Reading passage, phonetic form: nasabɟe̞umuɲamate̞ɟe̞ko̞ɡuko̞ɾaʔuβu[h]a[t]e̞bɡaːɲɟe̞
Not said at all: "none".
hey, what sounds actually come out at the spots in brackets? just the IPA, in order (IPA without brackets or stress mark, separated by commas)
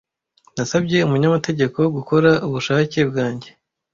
ʃ, c